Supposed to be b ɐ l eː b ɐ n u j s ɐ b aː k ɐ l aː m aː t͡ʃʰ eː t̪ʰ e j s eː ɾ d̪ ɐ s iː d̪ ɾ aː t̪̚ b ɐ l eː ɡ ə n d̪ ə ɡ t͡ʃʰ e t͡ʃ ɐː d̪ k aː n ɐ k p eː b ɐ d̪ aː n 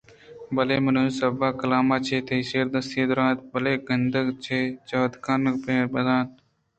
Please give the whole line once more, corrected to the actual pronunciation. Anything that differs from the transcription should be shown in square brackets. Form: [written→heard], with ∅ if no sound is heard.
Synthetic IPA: b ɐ l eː [b→m] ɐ n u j s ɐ b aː k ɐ l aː m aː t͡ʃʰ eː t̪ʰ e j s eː ɾ d̪ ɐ s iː d̪ ɾ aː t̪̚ b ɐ l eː ɡ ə n d̪ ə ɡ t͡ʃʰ e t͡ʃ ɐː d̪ k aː n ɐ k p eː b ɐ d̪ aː n